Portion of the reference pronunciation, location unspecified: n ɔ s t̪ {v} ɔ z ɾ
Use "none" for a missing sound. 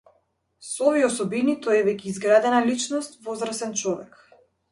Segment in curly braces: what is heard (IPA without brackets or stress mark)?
v